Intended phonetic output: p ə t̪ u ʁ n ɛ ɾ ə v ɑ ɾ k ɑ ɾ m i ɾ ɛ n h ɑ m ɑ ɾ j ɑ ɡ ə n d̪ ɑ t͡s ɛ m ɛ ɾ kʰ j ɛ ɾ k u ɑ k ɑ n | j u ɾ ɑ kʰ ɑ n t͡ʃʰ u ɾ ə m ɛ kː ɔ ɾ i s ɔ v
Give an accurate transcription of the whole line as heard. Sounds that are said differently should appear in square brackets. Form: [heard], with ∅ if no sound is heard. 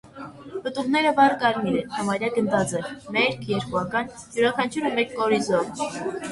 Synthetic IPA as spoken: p ə t̪ u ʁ n ɛ ɾ ə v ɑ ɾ k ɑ ɾ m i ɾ ɛ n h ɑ m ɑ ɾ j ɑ ɡ ə n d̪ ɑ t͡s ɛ m ɛ ɾ kʰ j ɛ ɾ k u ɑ k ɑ n | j u ɾ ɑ kʰ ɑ n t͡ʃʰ u ɾ ə m ɛ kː ɔ ɾ i [z] ɔ v